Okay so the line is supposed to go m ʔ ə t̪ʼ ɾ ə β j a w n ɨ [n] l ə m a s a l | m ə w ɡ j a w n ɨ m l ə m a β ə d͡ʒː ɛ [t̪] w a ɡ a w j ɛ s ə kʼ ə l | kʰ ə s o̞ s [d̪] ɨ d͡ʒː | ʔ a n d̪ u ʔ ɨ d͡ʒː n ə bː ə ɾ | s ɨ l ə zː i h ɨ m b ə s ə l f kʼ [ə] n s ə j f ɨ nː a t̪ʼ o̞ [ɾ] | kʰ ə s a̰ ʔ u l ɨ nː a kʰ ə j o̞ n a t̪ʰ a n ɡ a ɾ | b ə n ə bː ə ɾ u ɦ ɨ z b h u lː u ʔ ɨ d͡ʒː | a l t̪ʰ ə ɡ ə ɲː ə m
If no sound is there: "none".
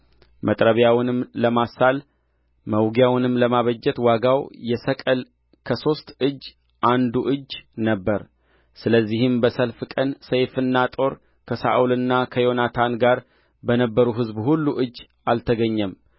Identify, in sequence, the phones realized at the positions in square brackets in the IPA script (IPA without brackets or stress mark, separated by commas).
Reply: m, t̪, t̪, ə, ɾ